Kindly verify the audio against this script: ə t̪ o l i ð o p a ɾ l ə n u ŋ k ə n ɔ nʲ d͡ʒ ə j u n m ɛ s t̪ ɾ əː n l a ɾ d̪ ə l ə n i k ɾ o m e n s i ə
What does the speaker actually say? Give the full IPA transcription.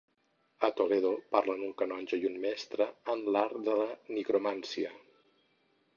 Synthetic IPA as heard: ə t̪ o l e ð o p a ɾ l ə n u ŋ k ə n ɔ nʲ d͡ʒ ə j u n m ɛ s t̪ ɾ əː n l a ɾ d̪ ə l ə n i k ɾ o m a n s i ə